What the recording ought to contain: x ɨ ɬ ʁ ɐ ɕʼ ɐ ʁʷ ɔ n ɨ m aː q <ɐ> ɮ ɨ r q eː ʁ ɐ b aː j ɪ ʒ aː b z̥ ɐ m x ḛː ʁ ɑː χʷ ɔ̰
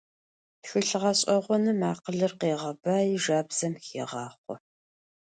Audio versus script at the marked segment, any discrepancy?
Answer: yes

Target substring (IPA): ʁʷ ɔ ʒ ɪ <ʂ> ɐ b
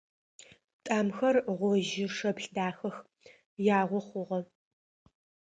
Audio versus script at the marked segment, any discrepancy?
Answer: no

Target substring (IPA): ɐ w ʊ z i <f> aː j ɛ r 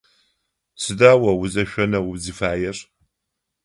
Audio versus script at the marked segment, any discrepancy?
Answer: no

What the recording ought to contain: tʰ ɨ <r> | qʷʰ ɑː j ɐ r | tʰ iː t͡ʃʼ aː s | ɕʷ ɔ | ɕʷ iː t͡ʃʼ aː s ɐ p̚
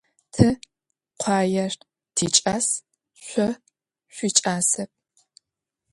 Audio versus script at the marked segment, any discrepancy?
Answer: yes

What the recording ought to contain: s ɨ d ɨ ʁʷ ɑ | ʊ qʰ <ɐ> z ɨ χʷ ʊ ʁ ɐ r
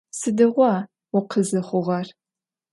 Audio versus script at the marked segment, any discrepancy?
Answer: yes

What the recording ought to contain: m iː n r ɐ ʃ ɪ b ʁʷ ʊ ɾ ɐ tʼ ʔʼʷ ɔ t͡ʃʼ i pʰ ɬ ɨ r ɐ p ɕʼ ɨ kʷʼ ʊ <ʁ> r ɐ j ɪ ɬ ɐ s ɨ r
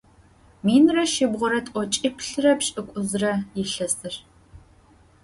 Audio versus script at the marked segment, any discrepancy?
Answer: yes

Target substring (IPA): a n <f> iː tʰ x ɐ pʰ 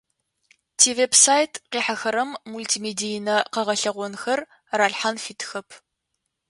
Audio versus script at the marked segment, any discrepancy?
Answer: no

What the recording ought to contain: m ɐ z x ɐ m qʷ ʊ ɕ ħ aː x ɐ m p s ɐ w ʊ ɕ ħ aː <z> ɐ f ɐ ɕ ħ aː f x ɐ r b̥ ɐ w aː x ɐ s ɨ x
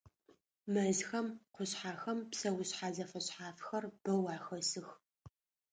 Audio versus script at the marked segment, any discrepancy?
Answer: no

